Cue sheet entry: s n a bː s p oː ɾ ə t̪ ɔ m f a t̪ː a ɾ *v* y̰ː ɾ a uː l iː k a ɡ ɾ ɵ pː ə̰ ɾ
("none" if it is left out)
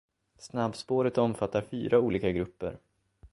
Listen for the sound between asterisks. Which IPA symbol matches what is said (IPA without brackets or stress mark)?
f